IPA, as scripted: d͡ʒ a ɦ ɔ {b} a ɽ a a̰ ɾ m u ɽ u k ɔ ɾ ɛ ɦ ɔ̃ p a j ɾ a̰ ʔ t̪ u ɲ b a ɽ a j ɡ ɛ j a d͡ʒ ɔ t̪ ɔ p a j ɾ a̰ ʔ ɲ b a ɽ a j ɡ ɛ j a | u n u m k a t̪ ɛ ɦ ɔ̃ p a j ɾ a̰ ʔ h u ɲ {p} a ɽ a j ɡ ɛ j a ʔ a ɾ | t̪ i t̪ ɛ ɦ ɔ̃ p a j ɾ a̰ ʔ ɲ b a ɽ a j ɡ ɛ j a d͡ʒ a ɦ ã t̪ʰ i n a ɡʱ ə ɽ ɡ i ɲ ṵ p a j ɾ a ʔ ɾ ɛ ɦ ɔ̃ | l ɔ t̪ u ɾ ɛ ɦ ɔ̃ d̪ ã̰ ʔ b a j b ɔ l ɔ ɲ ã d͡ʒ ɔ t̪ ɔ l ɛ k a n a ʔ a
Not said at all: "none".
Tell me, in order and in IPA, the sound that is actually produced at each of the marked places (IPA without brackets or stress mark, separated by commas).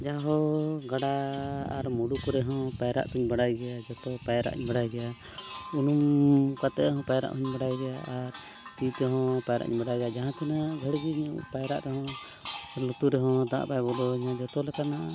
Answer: ɡ, b